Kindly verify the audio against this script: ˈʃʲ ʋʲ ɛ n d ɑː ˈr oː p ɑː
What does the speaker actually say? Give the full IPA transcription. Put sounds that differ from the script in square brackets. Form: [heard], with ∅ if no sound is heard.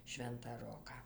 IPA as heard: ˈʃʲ ʋʲ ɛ n [t] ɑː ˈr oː [k] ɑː